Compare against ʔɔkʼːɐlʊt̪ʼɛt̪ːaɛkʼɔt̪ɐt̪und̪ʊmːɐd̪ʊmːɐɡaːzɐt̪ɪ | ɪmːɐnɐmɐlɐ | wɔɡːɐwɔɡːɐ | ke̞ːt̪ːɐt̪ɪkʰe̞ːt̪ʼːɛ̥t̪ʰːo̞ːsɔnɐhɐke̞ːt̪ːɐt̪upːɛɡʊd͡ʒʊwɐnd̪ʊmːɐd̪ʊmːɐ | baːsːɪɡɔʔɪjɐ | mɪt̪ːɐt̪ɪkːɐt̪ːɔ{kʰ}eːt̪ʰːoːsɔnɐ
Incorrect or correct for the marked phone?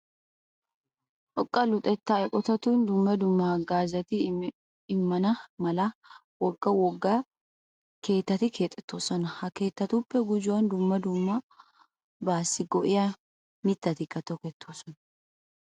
incorrect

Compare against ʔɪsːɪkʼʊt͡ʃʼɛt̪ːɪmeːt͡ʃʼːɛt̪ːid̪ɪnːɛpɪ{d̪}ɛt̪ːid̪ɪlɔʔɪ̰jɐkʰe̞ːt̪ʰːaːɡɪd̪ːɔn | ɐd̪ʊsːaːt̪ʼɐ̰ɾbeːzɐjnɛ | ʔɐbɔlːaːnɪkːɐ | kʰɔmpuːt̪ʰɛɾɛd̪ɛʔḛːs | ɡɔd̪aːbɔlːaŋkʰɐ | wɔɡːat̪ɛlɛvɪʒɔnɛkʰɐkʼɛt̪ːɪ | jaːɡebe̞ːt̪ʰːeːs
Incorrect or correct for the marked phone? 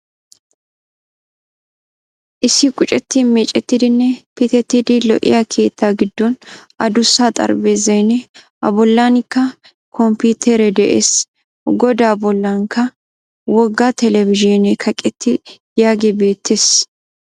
incorrect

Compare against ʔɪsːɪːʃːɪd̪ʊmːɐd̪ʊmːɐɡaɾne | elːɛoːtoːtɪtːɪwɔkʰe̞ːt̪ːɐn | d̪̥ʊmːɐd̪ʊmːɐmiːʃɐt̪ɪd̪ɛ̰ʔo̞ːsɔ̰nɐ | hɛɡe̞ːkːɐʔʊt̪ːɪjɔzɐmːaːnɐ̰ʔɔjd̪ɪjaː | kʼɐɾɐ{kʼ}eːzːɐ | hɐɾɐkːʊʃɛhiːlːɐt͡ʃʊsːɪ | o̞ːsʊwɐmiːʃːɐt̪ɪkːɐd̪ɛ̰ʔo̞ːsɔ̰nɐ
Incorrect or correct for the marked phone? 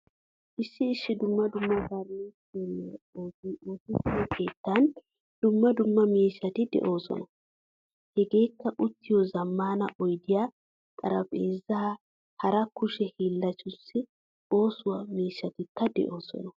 incorrect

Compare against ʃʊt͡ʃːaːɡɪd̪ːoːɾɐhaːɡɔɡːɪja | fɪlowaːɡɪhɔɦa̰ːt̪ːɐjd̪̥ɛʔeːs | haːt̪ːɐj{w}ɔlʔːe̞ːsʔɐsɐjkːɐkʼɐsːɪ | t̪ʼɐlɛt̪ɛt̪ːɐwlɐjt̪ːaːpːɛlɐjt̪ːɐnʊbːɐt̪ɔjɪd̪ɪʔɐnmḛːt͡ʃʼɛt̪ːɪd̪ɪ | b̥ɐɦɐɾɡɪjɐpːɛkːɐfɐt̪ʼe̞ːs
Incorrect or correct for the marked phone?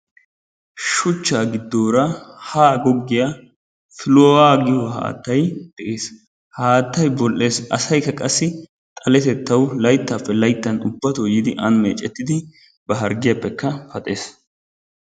incorrect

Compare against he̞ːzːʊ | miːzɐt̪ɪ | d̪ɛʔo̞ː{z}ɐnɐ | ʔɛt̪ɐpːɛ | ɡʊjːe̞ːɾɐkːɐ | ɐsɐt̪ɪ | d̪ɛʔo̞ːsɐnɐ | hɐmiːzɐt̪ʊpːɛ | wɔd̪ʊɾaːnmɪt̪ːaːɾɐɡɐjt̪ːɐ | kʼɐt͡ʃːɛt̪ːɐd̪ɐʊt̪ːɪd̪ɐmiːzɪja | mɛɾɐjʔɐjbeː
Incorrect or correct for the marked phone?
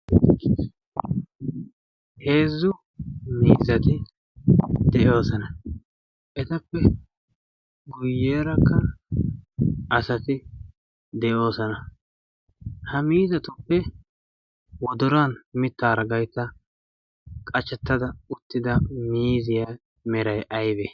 incorrect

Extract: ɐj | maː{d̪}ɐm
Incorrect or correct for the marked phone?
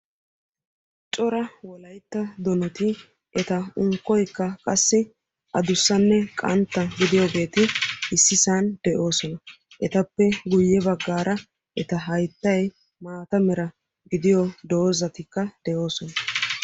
incorrect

